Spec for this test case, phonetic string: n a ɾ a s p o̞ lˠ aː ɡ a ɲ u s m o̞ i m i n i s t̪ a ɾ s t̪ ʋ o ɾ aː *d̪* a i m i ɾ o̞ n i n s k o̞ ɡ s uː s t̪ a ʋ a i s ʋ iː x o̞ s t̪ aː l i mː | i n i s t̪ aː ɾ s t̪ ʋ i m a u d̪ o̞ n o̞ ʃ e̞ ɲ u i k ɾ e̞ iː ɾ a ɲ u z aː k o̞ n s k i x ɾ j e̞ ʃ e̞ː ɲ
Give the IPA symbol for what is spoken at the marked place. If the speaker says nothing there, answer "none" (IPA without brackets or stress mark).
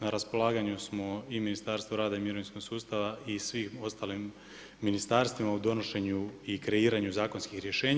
d̪